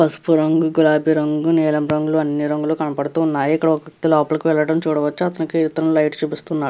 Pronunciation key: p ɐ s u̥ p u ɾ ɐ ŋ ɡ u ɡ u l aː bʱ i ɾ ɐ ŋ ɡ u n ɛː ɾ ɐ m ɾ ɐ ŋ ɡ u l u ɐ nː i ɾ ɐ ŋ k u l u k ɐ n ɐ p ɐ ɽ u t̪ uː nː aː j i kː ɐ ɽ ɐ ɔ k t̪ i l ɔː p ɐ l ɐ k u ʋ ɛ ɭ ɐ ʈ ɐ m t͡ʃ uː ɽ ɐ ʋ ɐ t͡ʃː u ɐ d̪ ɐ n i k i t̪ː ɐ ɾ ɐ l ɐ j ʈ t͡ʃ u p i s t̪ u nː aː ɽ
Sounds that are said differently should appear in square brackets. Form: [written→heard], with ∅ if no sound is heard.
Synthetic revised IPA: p ɐ s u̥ p u ɾ ɐ ŋ ɡ u ɡ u l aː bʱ i ɾ ɐ ŋ ɡ u n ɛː [ɾ→l] ɐ m ɾ ɐ ŋ ɡ u l u ɐ nː i ɾ ɐ ŋ [k→ɡ] u l u k ɐ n ɐ p ɐ ɽ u t̪ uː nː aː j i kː ɐ ɽ ɐ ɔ k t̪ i l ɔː p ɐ l ɐ k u ʋ ɛ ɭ ɐ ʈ ɐ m t͡ʃ uː ɽ ɐ ʋ ɐ t͡ʃː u ɐ [d̪→t̪] ɐ n i k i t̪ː ɐ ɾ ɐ l ɐ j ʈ t͡ʃ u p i s t̪ u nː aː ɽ